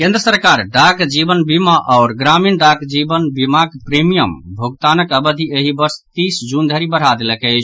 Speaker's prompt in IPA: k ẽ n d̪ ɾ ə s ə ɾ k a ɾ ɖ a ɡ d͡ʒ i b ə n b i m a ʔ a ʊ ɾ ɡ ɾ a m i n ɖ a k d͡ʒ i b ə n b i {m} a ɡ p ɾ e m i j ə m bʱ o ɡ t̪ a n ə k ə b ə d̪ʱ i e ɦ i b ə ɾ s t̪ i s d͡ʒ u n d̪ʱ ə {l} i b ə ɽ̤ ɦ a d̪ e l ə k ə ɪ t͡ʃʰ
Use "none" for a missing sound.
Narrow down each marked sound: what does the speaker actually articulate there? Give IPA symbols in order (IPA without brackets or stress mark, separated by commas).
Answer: m, ɾ